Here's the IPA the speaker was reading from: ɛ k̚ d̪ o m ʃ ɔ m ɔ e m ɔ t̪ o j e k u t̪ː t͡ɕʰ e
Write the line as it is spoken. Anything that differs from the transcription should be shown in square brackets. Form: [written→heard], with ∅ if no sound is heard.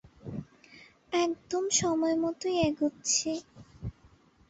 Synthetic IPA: ɛ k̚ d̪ o m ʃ ɔ m ɔ e m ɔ t̪ o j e [k→ɡ] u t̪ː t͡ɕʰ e